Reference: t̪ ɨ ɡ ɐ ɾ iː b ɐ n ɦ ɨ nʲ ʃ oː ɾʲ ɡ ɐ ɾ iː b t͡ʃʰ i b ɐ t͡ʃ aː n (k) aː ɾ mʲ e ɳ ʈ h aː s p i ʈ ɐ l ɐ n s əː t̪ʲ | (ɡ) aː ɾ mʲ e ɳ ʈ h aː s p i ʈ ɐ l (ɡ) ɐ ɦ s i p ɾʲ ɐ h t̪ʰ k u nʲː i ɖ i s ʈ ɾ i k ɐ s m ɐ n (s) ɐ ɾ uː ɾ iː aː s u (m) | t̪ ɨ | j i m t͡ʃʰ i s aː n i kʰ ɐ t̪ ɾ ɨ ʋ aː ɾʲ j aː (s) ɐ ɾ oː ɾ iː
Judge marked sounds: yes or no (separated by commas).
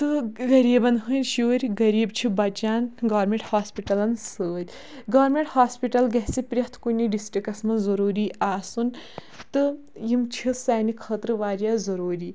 no, yes, yes, no, no, no